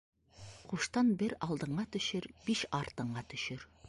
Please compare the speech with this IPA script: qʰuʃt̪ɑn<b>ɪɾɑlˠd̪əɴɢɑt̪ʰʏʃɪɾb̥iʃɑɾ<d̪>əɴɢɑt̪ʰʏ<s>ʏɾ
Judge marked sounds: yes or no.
yes, no, no

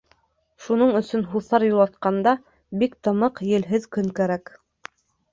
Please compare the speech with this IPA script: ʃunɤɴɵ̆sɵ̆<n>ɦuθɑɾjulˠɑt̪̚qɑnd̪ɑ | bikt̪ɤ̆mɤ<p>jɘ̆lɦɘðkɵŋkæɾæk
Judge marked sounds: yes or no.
yes, no

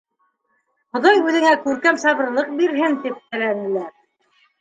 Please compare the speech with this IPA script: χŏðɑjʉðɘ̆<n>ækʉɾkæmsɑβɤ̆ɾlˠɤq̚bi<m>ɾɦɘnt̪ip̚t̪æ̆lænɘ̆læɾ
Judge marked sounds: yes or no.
no, no

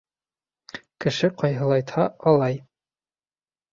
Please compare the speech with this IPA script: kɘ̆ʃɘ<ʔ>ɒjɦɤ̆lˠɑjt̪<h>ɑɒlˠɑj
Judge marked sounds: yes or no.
no, yes

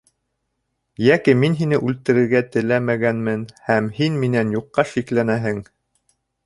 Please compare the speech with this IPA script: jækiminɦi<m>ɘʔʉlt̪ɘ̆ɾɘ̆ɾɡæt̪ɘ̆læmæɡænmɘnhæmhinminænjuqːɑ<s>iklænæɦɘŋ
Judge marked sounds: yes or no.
no, no

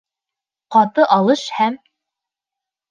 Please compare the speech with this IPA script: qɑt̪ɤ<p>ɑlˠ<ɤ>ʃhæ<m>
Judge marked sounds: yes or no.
no, yes, yes

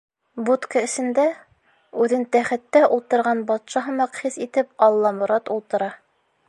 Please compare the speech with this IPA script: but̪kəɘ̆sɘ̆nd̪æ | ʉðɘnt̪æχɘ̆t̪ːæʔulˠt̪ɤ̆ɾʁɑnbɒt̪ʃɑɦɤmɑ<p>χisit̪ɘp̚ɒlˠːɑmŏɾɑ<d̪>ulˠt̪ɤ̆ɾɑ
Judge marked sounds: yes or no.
no, no

